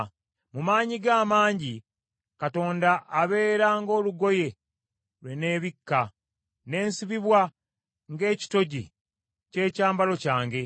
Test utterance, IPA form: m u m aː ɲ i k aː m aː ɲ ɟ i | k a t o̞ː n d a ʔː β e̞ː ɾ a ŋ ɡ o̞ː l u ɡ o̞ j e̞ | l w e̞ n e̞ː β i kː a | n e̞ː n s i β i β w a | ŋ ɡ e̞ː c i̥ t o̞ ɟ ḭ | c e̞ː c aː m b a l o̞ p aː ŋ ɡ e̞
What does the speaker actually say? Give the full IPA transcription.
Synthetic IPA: m u m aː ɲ i ɡ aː m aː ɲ ɟ i | k a t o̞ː n d a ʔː β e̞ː ɾ a ŋ ɡ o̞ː l u ɡ o̞ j e̞ | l w e̞ n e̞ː β i kː a | n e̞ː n s i β i β w a | ŋ ɡ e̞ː c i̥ t o̞ ɟ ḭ | c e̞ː c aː m b a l o̞ c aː ŋ ɡ e̞